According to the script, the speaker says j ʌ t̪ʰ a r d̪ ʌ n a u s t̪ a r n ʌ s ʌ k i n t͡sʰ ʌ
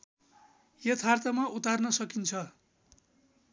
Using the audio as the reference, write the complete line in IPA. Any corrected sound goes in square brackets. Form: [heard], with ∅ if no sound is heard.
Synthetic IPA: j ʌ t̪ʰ a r [t̪] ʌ [m] a u [∅] t̪ a r n ʌ s ʌ k i n t͡sʰ ʌ